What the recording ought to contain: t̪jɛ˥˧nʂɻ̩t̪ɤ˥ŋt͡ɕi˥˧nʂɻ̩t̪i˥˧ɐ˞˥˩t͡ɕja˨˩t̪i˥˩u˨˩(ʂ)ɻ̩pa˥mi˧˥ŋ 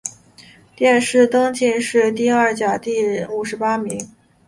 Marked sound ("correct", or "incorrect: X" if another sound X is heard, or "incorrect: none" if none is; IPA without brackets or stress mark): correct